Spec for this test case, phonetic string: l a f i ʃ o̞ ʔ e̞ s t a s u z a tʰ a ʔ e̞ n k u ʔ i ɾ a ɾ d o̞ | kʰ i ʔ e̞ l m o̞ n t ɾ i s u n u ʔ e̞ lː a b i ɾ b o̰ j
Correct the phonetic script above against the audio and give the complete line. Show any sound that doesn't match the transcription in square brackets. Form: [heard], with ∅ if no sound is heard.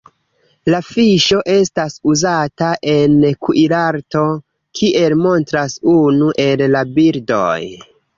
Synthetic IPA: l a f i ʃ o̞ ʔ e̞ s t a s u z a [t] a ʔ e̞ n k u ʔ i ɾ a ɾ [t] o̞ | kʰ i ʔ e̞ l m o̞ n t ɾ [a] s u n u ʔ e̞ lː a b i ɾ [d] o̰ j

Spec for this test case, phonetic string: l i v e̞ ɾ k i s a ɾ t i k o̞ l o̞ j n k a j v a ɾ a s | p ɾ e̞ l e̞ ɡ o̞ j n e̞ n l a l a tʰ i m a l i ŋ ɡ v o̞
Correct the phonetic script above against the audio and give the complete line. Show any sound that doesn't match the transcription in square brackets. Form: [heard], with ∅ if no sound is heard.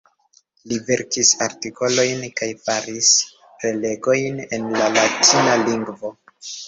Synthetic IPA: l i v e̞ ɾ k i s a ɾ t i k o̞ l o̞ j n k a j [f] a ɾ [i] s | p ɾ e̞ l e̞ ɡ o̞ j n e̞ n l a l a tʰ i [n] a l i ŋ ɡ v o̞

